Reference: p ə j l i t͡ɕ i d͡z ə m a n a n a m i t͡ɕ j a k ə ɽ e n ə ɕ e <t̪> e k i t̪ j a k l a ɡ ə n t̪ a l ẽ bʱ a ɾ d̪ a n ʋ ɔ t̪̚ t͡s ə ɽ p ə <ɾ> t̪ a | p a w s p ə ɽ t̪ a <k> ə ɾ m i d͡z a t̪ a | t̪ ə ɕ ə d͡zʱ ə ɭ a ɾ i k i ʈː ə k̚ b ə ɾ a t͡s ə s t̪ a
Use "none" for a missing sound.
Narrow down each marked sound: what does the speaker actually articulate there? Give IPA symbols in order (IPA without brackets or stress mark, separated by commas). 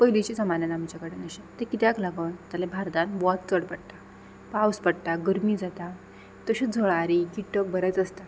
t̪, ɽ, ɡ